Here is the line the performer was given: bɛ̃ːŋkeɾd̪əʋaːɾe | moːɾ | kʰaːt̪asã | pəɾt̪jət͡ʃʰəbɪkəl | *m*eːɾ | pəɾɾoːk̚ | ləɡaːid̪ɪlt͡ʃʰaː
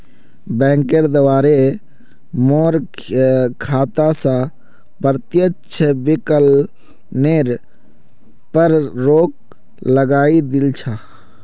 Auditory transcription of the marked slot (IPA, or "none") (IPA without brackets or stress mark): n